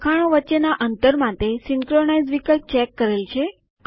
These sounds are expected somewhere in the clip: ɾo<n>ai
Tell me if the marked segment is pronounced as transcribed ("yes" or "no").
yes